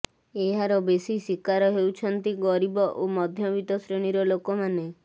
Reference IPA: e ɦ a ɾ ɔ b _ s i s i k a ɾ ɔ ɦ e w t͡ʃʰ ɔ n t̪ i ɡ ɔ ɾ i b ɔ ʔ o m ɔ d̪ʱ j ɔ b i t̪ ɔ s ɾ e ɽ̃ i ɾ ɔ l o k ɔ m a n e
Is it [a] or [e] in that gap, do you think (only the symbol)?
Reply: e